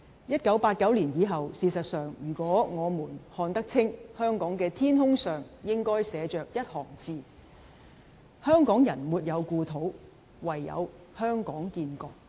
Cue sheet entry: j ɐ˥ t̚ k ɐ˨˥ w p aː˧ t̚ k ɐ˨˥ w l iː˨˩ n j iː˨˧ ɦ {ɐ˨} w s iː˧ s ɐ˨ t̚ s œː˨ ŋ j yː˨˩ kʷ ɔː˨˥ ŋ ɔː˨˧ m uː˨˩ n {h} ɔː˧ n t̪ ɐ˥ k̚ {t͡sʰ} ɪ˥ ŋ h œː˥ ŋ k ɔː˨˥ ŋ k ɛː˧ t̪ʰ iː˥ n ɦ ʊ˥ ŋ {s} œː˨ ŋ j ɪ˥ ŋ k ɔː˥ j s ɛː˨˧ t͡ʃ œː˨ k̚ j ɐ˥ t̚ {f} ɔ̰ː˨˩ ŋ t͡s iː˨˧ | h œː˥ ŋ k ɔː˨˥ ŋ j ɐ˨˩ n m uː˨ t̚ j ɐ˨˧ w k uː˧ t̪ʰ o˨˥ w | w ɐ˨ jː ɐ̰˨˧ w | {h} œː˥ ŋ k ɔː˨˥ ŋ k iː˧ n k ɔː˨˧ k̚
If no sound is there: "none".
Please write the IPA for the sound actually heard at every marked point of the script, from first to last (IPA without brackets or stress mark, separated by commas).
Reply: ɐ˨, h, t͡sʰ, s, h, h